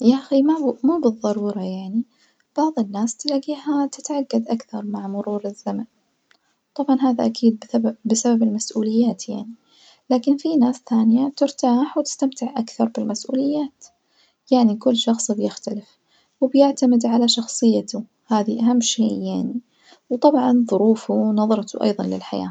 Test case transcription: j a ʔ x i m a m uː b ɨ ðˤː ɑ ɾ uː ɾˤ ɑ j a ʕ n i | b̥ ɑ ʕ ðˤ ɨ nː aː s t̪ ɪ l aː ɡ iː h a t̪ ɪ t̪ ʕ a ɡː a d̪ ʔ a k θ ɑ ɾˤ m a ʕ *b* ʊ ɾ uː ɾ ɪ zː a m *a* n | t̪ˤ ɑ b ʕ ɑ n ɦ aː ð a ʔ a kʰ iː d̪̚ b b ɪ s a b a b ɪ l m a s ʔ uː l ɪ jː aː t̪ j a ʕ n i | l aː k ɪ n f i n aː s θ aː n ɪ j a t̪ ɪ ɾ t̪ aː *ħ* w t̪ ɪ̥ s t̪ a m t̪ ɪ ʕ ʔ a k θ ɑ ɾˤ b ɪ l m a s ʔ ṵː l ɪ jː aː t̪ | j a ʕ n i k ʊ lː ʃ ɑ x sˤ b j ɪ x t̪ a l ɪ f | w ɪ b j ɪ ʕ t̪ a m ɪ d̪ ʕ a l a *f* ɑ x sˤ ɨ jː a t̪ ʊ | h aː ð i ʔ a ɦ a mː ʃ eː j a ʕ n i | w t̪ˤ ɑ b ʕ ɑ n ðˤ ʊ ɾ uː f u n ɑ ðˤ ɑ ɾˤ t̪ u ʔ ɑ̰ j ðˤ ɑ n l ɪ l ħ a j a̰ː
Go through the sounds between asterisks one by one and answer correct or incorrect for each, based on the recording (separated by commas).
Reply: incorrect, correct, correct, incorrect